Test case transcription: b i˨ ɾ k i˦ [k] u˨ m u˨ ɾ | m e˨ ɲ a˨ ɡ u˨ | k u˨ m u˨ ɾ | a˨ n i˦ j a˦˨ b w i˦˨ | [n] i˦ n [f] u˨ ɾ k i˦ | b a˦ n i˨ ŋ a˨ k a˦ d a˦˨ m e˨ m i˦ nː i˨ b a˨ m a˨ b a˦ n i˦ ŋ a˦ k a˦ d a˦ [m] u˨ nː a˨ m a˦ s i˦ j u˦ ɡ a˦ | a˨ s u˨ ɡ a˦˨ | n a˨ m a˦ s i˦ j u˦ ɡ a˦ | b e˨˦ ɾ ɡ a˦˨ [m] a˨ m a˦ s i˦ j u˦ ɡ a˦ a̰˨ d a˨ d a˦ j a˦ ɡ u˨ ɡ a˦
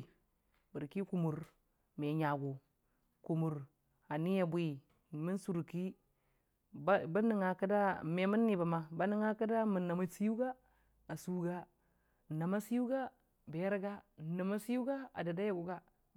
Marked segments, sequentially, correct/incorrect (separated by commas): correct, incorrect, incorrect, correct, incorrect